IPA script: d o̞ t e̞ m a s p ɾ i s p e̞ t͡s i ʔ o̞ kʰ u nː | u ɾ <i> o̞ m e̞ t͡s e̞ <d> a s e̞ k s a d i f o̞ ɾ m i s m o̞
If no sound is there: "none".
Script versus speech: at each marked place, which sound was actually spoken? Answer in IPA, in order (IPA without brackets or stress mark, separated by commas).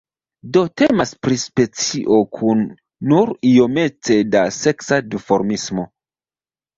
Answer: i, d